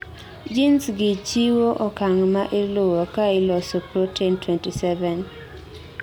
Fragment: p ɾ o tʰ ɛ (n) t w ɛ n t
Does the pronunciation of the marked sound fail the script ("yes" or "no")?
no